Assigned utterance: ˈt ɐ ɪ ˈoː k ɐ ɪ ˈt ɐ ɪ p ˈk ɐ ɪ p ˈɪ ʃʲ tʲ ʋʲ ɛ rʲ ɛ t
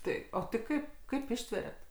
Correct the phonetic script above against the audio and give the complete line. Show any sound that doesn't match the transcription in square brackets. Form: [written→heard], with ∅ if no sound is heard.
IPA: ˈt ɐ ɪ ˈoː [k→t] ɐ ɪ [ˈt→ˈk] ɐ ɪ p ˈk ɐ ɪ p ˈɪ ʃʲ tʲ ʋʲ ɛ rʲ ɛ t

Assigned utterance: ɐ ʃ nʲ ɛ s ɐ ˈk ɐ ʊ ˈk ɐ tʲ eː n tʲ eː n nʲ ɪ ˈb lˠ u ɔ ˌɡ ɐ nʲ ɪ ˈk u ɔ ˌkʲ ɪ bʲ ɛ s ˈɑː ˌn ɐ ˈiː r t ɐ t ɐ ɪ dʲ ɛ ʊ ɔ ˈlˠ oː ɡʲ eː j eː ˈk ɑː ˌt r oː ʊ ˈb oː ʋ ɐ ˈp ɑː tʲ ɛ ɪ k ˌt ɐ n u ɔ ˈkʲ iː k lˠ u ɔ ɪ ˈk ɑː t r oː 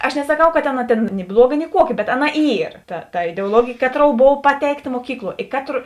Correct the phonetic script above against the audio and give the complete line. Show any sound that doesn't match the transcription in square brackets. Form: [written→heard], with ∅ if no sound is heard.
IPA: ɐ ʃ nʲ ɛ s ɐ ˈk ɐ ʊ ˈk ɐ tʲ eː n tʲ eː n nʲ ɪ ˈb lˠ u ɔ ˌɡ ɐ nʲ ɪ ˈk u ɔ ˌkʲ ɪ bʲ ɛ [s→t] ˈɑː ˌn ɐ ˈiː r t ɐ t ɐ ɪ dʲ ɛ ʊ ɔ ˈlˠ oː ɡʲ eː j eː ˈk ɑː ˌt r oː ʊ ˈb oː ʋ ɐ ˈp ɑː tʲ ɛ ɪ k ˌt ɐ [n→m] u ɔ ˈkʲ iː k lˠ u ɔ ɪ ˈk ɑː t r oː

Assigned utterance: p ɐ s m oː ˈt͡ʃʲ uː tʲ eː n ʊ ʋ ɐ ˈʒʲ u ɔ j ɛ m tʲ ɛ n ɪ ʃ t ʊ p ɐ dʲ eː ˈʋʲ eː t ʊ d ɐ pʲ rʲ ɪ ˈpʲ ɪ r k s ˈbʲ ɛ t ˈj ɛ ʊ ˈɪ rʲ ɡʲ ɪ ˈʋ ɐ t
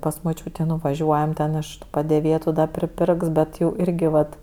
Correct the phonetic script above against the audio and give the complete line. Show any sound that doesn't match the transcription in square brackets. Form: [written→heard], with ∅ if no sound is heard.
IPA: p ɐ s m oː ˈt͡ʃʲ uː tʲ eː n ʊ ʋ ɐ ˈʒʲ u ɔ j ɛ m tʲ ɛ n ɪ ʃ t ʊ p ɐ dʲ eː ˈʋʲ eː t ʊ d ɐ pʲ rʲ ɪ ˈpʲ ɪ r k s ˈbʲ ɛ t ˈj ɛ ʊ ˈɪ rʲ ɡʲ ɪ ˈʋ ɐ t

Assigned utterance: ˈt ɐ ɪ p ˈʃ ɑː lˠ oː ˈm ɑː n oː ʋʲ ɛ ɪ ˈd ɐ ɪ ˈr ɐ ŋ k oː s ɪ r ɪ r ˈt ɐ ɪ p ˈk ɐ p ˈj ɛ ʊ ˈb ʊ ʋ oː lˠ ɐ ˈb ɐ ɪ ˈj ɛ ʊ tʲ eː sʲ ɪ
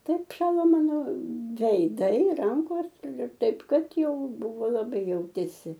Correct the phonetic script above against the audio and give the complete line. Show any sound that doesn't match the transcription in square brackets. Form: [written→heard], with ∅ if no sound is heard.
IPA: ˈt ɐ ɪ p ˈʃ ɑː lˠ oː ˈm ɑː n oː ʋʲ ɛ ɪ ˈd ɐ ɪ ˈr ɐ ŋ k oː s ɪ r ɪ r ˈt ɐ ɪ p ˈk ɐ [p→t] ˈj ɛ ʊ ˈb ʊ ʋ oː lˠ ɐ ˈb ɐ ɪ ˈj ɛ ʊ tʲ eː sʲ ɪ

